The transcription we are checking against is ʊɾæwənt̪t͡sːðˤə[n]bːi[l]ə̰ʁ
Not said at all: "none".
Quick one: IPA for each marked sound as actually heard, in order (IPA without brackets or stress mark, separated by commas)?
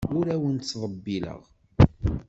none, l